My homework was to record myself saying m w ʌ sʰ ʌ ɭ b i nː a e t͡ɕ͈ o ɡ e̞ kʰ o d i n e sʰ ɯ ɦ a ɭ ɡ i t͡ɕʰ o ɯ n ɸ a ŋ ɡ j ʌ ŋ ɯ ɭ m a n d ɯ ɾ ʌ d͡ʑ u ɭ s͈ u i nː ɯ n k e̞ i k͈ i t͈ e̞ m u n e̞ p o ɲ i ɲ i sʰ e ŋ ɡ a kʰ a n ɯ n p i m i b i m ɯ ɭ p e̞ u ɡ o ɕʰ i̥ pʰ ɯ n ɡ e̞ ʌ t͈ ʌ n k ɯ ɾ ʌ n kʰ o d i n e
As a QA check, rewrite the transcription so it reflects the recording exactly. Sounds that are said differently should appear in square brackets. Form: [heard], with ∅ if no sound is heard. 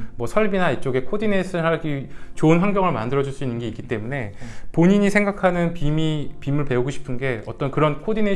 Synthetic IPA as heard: m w ʌ sʰ ʌ ɭ b i [n] a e t͡ɕ͈ o ɡ e̞ kʰ o d i n e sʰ ɯ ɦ a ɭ ɡ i [t͡ɕ] o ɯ n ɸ a ŋ ɡ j ʌ ŋ ɯ ɭ m a n d ɯ ɾ ʌ d͡ʑ u ɭ s͈ u i nː ɯ n [ɡ] e̞ i k͈ i t͈ e̞ m u n e̞ p o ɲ i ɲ i sʰ e ŋ ɡ a kʰ a n ɯ n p i m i [p] i m ɯ ɭ p e̞ u ɡ o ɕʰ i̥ pʰ ɯ n ɡ e̞ ʌ t͈ ʌ n k ɯ ɾ ʌ n kʰ o d i n e